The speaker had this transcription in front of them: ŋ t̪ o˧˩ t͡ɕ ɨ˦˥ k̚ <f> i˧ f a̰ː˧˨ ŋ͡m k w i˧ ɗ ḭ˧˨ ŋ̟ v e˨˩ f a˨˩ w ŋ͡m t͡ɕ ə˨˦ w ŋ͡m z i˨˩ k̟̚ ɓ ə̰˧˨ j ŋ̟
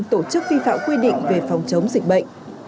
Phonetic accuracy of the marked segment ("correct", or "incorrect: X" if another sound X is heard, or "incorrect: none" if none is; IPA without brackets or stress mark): incorrect: v